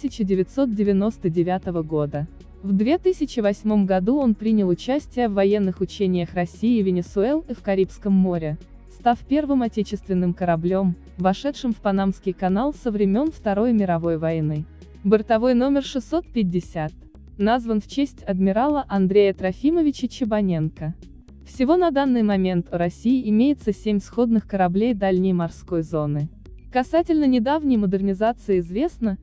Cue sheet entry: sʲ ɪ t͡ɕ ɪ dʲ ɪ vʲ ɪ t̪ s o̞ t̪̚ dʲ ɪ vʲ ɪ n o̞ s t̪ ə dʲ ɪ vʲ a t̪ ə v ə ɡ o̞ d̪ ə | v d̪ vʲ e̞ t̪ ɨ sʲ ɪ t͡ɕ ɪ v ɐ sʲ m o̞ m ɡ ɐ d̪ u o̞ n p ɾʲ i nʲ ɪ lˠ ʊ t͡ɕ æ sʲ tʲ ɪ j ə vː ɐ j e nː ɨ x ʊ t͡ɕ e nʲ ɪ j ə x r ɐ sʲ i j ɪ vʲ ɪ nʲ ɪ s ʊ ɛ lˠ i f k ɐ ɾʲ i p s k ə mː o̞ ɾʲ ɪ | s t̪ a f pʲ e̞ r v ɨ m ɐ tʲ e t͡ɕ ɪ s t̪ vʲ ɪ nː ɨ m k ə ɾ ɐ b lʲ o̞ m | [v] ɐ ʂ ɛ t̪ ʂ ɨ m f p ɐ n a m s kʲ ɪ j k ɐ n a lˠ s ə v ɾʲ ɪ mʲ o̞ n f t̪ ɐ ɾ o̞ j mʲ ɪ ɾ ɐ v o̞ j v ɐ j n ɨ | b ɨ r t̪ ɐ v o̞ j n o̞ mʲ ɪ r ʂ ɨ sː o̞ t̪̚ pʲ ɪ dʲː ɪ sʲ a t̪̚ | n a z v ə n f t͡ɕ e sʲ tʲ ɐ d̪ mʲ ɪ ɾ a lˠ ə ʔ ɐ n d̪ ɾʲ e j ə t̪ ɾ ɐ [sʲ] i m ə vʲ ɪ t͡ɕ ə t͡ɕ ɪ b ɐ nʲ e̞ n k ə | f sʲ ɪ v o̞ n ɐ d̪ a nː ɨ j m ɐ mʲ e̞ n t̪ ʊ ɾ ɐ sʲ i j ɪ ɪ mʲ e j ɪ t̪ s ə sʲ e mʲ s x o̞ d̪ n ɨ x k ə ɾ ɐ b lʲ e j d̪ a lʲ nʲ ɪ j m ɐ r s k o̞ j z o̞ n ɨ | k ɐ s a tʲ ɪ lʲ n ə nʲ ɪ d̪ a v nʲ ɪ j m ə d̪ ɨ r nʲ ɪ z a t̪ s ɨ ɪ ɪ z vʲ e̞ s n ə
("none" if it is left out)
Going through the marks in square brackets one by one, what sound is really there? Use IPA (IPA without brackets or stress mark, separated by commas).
v, fʲ